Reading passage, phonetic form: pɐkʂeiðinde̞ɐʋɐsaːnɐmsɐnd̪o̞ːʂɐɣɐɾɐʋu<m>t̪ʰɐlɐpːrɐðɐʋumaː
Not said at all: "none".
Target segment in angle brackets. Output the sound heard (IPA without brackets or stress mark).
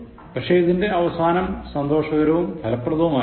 m